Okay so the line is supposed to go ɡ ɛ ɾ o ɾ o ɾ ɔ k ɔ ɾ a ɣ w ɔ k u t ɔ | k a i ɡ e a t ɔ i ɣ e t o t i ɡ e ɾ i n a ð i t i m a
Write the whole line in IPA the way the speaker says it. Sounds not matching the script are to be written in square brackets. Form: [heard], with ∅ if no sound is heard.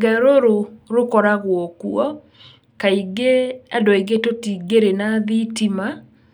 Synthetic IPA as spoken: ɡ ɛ ɾ o ɾ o ɾ [o] k ɔ ɾ a ɣ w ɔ k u [∅] ɔ | k a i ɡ e a [d] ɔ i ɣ e t o t i ɡ e ɾ [e] n a ð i t i m a